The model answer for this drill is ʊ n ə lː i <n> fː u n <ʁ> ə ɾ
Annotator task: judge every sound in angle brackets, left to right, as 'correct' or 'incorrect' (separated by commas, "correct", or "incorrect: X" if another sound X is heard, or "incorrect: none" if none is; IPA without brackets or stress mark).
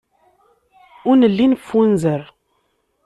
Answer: correct, incorrect: z